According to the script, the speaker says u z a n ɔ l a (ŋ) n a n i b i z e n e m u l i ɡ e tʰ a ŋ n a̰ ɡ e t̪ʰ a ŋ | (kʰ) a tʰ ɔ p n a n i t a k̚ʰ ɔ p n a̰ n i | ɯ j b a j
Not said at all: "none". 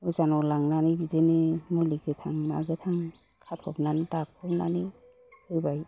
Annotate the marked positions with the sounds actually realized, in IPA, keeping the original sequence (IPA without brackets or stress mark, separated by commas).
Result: ŋ, kʰ